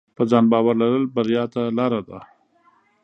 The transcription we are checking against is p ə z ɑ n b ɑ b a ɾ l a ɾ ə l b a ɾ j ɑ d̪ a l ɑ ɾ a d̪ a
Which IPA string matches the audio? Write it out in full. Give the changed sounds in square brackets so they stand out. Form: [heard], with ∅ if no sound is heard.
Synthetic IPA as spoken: p ə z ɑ n b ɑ [w] a ɾ l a ɾ ə l b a ɾ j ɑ [t̪] a l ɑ ɾ a d̪ a